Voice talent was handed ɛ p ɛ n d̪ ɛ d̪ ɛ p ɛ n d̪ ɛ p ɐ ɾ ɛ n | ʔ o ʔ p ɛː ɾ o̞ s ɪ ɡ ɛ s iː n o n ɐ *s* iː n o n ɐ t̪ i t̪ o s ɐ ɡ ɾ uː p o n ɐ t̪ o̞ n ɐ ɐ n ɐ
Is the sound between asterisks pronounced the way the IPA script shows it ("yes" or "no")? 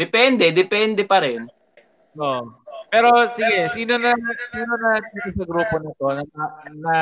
yes